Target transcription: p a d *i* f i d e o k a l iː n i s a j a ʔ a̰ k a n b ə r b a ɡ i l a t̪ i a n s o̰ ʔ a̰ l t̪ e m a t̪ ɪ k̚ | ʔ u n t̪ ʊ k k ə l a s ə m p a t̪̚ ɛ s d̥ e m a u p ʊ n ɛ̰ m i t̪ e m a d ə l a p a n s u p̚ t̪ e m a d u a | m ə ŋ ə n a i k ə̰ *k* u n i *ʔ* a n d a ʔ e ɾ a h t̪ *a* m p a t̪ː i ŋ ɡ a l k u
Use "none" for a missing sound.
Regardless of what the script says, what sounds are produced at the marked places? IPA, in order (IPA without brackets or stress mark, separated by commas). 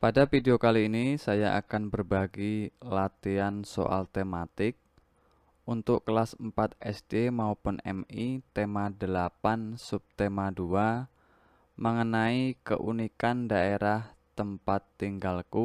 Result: a, ʔ, k, ə